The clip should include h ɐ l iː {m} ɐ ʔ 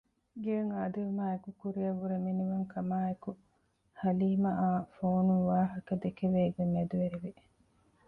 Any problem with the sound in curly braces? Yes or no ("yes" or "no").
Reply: no